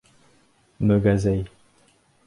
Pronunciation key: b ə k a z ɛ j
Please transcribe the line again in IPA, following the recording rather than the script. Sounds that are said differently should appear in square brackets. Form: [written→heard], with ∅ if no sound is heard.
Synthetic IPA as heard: [b→m] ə [k→ɡ] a z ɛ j